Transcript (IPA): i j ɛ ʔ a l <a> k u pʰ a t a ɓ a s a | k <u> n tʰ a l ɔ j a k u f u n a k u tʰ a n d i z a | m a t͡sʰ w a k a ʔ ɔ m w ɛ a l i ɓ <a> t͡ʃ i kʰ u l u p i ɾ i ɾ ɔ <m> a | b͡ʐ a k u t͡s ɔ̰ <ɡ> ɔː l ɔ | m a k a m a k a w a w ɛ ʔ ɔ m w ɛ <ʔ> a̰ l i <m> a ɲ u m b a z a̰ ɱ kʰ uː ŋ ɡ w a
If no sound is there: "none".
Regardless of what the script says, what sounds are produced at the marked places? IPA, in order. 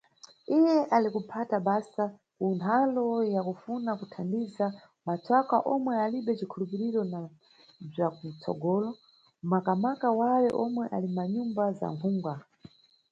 i, u, ɛ, n, ɡ, ʔ, m

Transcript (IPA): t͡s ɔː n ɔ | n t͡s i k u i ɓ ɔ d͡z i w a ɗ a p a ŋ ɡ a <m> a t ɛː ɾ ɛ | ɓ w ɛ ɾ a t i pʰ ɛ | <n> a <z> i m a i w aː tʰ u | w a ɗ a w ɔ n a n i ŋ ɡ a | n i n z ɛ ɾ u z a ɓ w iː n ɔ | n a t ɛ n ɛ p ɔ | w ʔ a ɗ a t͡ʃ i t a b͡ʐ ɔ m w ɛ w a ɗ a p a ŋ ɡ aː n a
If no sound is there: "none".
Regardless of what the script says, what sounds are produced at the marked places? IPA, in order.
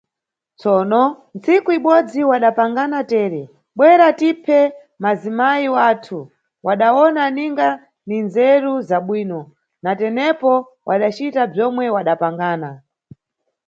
n, m, z

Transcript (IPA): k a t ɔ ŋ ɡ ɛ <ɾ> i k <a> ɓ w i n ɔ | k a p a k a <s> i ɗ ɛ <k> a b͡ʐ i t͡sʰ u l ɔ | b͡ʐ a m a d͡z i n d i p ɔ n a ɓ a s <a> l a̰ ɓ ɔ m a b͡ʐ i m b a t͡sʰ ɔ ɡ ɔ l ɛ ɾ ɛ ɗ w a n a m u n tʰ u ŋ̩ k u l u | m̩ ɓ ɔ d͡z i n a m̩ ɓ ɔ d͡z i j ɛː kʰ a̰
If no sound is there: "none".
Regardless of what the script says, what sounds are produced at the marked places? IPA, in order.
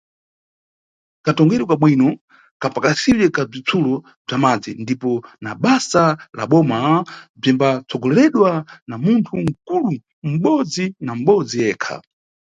ɾ, a, s, k, a

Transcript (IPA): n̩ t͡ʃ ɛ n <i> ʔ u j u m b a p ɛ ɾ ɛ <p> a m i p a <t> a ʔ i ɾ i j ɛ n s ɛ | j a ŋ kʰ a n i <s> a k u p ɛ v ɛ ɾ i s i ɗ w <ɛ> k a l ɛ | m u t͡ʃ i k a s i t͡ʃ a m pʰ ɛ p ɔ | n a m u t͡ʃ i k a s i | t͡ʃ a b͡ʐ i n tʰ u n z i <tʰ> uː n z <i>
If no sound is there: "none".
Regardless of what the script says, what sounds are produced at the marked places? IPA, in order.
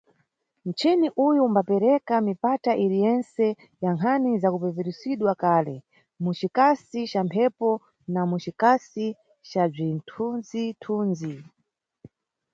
i, k, t, z, a, tʰ, i

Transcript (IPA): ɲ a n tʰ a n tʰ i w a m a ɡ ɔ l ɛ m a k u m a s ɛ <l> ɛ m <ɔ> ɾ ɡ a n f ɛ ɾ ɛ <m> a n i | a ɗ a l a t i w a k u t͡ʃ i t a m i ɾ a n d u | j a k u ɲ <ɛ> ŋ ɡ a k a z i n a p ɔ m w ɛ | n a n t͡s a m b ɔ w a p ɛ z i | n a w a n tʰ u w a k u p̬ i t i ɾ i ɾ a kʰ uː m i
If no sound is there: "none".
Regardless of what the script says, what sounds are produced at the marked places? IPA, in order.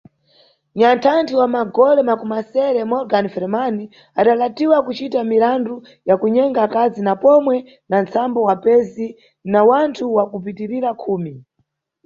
ɾ, ɔ, m, ɛ

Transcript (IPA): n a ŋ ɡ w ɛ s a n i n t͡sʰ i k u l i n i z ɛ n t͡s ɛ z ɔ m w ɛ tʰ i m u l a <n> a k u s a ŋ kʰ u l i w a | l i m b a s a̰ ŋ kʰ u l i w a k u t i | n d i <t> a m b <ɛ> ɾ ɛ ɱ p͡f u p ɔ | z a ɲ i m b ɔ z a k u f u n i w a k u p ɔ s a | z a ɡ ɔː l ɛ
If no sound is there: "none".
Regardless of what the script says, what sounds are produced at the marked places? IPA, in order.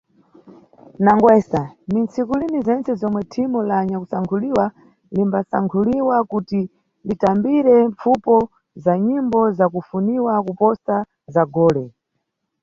ɲ, t, i

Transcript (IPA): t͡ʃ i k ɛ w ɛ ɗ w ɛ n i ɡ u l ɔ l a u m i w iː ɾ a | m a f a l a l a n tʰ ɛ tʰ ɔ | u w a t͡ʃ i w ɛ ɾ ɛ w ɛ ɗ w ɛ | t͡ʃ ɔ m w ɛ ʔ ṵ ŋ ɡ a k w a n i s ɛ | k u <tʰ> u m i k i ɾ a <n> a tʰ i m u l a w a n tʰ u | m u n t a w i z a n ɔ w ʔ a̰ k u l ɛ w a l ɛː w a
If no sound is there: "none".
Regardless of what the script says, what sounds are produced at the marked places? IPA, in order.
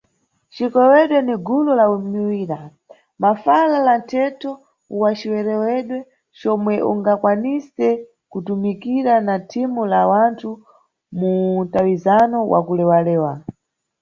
t, n

